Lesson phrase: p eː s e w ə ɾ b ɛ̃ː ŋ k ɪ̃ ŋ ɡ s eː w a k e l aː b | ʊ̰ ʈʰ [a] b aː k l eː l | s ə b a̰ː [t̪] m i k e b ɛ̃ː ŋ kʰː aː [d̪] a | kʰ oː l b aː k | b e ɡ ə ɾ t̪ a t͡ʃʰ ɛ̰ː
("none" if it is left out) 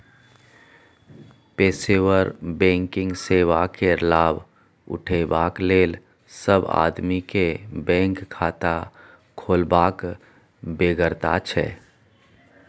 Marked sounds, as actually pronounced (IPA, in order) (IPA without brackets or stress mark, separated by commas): e, d̪, t̪